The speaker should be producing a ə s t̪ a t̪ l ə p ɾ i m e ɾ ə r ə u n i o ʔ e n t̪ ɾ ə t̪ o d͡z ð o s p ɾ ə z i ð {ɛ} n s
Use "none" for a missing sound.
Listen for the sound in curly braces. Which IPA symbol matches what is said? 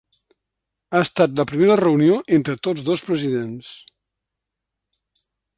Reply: e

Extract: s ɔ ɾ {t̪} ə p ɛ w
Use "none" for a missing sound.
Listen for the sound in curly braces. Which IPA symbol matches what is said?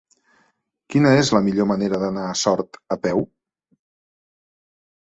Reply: t̪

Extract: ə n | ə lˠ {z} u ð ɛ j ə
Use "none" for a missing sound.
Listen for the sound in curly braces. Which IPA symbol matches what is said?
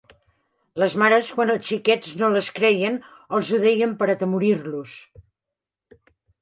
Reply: z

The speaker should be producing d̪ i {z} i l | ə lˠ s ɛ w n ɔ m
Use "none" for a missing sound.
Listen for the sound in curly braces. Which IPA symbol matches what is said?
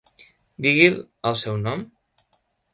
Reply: ɣ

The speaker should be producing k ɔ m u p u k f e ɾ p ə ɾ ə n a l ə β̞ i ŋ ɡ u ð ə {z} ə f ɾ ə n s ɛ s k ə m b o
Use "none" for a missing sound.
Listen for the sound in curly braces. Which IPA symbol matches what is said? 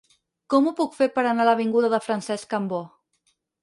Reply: ð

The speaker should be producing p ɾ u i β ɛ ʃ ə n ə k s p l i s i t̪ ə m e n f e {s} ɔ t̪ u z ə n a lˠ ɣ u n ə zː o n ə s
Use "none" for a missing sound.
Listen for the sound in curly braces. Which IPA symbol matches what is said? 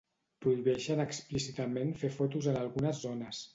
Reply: f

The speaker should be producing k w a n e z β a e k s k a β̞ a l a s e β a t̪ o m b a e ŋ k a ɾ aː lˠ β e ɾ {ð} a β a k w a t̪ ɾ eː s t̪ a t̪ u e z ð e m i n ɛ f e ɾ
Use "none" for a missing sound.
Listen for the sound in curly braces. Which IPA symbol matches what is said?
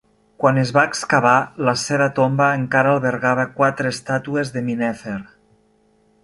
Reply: ɣ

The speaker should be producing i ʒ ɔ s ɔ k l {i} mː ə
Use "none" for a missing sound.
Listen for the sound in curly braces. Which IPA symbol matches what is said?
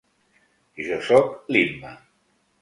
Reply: i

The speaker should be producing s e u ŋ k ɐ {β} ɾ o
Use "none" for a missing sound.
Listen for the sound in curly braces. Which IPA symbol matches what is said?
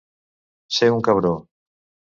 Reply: β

